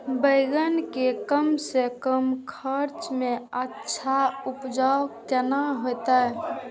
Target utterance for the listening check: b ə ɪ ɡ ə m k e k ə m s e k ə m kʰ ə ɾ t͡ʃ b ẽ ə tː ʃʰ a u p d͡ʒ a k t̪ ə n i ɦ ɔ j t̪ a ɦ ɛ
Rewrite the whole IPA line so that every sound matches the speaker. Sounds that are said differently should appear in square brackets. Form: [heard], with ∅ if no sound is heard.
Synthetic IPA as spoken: b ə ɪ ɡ ə [n] k e k ə m s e k ə m kʰ ə ɾ t͡ʃ [m] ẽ ə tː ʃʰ a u p d͡ʒ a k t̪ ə n [a] ɦ [o] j t̪ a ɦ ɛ